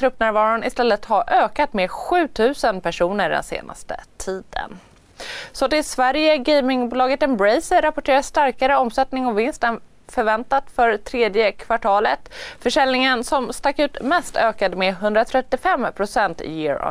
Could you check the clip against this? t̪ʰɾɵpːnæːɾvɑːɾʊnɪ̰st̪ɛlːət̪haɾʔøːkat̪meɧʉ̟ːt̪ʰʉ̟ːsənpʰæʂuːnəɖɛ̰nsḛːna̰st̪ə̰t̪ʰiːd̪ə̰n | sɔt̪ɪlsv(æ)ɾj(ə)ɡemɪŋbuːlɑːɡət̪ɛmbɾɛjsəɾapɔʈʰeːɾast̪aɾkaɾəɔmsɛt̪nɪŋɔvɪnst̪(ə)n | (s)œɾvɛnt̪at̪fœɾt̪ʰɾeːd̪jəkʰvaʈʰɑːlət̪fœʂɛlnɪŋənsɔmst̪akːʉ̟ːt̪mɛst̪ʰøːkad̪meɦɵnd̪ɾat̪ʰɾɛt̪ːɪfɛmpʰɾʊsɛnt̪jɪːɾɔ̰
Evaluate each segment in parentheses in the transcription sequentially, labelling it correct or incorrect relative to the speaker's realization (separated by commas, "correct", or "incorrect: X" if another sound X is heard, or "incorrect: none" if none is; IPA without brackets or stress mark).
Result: correct, correct, correct, incorrect: f